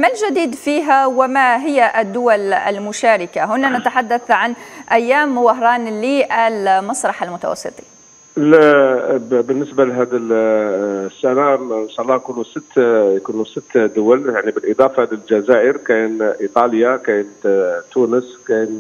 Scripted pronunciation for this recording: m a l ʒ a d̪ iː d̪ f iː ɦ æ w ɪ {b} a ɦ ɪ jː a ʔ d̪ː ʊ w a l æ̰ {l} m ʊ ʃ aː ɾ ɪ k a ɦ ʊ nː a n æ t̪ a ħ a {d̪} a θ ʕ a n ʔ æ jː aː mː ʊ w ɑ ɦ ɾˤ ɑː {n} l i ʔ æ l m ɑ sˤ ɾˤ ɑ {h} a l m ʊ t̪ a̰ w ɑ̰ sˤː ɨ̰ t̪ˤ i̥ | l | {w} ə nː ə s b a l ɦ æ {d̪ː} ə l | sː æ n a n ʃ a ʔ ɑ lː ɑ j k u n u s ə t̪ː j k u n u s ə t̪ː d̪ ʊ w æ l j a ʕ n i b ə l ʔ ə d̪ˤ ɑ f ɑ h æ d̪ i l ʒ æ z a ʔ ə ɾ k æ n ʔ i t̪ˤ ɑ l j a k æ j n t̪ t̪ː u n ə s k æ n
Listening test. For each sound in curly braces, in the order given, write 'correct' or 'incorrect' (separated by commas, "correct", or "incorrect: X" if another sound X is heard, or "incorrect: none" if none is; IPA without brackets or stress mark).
incorrect: m, correct, incorrect: d̪ː, correct, incorrect: ħ, incorrect: b, incorrect: d̪